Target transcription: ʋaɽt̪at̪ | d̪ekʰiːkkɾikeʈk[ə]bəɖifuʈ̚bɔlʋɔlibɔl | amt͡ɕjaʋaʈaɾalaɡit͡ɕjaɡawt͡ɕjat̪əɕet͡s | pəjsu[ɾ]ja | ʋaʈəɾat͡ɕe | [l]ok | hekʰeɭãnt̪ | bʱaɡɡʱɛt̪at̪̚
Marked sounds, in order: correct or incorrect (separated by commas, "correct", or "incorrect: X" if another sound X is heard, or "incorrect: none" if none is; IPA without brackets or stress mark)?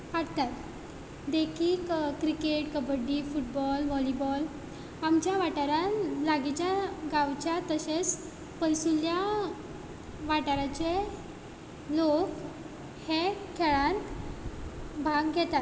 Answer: correct, incorrect: l, correct